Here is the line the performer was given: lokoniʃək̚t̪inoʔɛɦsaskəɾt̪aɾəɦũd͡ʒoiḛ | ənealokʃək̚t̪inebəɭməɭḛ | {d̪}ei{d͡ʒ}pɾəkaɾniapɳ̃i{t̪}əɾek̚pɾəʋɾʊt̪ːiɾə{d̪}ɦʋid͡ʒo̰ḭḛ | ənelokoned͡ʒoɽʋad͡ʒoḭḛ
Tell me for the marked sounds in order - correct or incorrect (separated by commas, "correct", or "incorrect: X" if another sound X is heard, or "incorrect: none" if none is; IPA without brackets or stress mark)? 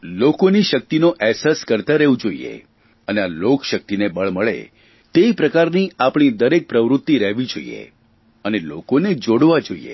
incorrect: t̪, incorrect: none, incorrect: d̪, incorrect: none